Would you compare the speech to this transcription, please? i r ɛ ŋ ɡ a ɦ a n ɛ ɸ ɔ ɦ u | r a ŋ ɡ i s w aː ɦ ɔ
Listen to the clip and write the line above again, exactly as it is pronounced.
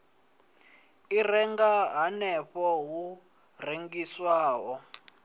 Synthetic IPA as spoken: i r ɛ ŋ ɡ a ɦ a n ɛ ɸ ɔ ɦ u | r e ŋ ɡ i s w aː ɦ ɔ